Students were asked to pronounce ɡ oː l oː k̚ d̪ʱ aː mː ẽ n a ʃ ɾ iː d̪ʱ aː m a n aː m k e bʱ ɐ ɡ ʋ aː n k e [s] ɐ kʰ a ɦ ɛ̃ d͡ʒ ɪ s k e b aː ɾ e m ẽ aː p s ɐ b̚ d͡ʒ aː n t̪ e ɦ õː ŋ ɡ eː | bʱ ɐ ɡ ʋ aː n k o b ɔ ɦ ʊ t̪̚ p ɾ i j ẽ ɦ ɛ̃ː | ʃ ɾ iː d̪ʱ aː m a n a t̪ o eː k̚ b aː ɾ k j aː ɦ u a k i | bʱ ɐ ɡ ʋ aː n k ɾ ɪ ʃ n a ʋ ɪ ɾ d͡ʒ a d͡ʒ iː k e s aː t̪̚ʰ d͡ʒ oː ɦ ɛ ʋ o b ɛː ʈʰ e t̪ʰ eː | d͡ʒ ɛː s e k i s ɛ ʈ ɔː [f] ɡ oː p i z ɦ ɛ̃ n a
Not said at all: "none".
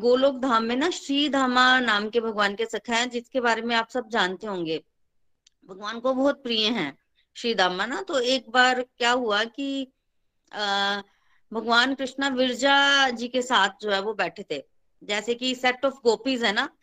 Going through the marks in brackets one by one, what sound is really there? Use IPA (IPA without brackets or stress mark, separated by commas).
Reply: s, f